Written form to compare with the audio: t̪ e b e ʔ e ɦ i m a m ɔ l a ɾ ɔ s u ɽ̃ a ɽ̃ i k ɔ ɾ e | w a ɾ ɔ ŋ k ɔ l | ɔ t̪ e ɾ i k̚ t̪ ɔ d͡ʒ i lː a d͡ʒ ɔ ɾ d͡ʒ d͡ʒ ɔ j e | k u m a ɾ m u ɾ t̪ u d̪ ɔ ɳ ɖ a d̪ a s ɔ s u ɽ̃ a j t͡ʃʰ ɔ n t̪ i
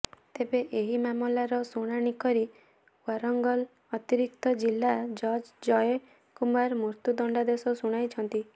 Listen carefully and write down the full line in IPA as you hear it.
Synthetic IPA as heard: t̪ e b e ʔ e ɦ i m a m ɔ l a ɾ ɔ s u ɽ̃ a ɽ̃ i k ɔ ɾ i | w a ɾ ɔ ŋ ɡ ɔ l | ɔ t̪ i ɾ i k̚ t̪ ɔ d͡ʒ i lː a d͡ʒ ɔ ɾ d͡ʒ d͡ʒ ɔ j e | k u m a ɾ m u ɾ t̪ u d̪ ɔ ɳ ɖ a d̪ e s ɔ s u ɽ̃ a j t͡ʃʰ ɔ n t̪ i

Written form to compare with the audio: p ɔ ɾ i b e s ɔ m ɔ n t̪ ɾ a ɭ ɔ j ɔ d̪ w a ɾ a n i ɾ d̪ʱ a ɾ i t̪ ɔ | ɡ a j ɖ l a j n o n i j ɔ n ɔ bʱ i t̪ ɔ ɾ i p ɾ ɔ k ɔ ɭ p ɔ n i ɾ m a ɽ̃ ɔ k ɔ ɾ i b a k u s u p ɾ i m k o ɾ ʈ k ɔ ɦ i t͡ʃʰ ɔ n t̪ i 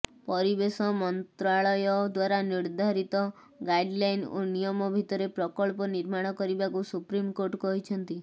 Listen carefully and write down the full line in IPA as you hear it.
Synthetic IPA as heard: p ɔ ɾ i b e s ɔ m ɔ n t̪ ɾ a ɭ ɔ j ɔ d̪ w a ɾ a n i ɾ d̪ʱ a ɾ i t̪ ɔ | ɡ a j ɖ l a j n o n i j ɔ m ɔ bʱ i t̪ ɔ ɾ e p ɾ ɔ k ɔ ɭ p ɔ n i ɾ m a ɽ̃ ɔ k ɔ ɾ i b a k u s u p ɾ i m k o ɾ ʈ k ɔ ɦ i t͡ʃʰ ɔ n t̪ i

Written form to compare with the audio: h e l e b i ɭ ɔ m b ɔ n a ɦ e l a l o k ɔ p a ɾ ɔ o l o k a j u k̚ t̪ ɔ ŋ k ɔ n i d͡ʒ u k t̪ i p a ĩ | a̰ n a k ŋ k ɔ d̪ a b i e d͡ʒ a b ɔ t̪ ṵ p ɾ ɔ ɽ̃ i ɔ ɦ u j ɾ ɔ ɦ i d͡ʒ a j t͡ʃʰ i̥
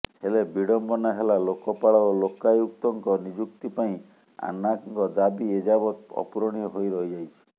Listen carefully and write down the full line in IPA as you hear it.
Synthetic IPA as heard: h e l e b i ɽ ɔ m b ɔ n a ɦ e l a l o k ɔ p a ɭ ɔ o l o k a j u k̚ t̪ ɔ ŋ k ɔ n i d͡ʒ u k t̪ i p a ĩ | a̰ n a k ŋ k ɔ d̪ a b i e d͡ʒ a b ɔ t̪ ɔ̰ p ɾ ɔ ɽ̃ i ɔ ɦ o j ɾ ɔ ɦ i d͡ʒ a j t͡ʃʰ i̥

